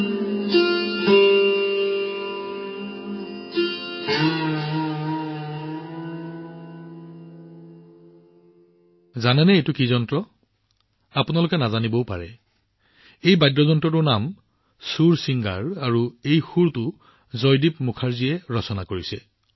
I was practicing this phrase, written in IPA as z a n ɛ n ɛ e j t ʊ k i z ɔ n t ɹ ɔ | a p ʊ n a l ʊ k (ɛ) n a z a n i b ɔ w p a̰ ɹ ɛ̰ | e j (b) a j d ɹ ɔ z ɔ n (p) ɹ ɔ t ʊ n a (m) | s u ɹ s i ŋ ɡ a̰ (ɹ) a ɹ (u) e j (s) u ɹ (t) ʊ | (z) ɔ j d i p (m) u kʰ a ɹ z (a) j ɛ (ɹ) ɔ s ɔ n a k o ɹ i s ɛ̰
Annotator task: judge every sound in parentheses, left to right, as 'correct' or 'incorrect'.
correct, correct, incorrect: t, correct, correct, correct, incorrect: x, correct, correct, correct, incorrect: i, correct

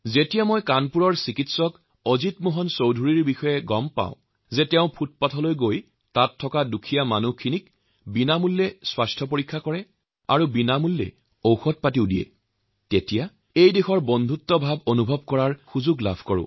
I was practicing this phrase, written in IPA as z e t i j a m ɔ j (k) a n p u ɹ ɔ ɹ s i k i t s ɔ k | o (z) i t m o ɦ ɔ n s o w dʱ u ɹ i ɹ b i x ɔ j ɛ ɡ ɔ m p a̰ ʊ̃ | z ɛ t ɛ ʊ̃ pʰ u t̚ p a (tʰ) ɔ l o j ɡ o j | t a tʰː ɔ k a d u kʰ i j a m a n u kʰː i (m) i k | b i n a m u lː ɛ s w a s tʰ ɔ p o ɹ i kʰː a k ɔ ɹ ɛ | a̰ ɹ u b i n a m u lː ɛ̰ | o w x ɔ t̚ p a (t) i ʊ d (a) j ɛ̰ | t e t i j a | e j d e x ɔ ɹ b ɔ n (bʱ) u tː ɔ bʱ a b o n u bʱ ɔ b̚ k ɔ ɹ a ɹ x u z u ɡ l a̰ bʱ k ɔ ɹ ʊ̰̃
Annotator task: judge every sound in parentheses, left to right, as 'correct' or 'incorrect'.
correct, correct, correct, incorrect: n, correct, incorrect: i, incorrect: dʱ

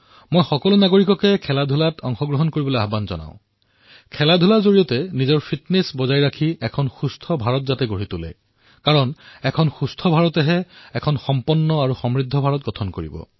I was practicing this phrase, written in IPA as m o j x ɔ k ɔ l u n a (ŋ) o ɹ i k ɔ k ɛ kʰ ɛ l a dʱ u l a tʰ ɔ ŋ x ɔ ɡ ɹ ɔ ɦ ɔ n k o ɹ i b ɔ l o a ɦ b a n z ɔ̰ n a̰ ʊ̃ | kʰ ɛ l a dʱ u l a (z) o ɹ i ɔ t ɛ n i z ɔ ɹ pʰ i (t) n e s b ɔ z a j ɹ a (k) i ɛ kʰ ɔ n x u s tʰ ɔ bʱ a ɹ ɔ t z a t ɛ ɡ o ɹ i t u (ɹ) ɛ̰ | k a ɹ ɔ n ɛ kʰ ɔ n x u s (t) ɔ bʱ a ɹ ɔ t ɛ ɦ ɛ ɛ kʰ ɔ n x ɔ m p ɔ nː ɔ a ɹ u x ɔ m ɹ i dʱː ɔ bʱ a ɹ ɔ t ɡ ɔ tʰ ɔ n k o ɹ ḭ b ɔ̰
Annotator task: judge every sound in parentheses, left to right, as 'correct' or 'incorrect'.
incorrect: ɡ, correct, correct, incorrect: kʰ, incorrect: l, incorrect: tʰ

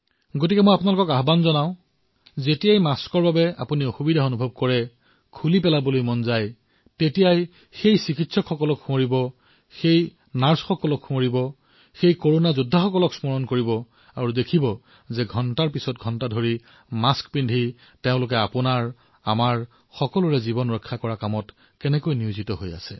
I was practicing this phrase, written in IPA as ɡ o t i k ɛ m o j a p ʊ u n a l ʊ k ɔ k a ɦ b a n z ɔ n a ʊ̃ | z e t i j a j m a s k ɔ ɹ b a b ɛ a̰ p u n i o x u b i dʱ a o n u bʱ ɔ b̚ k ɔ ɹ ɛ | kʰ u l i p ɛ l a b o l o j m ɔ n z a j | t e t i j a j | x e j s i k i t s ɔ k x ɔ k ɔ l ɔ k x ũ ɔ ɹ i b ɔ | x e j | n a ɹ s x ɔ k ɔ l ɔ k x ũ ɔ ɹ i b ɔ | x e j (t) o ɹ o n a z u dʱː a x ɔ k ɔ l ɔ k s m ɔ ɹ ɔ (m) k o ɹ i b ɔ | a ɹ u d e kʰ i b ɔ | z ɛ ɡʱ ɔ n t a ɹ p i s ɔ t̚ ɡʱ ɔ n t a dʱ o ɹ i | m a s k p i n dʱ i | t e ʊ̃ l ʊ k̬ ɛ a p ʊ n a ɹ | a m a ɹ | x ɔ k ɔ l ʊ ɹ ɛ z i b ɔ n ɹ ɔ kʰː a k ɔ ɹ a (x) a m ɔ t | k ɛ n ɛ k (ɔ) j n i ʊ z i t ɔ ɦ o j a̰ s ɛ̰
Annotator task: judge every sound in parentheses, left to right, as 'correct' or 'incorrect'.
incorrect: k, incorrect: n, incorrect: k, incorrect: o

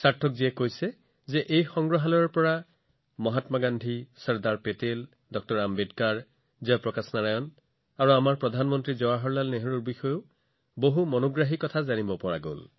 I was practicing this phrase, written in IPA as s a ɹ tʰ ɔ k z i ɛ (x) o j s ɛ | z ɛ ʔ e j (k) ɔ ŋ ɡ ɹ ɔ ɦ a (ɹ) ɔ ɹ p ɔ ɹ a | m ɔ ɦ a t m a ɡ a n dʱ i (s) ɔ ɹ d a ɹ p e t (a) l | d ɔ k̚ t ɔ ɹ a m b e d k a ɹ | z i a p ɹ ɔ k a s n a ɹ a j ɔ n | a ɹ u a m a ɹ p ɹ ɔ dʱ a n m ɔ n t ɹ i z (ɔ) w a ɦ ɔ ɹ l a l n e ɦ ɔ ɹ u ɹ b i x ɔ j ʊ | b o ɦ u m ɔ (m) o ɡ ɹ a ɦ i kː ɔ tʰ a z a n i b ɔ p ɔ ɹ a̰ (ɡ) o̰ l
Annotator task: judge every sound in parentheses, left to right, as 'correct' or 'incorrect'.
incorrect: k, incorrect: x, incorrect: l, correct, incorrect: e, correct, incorrect: n, correct

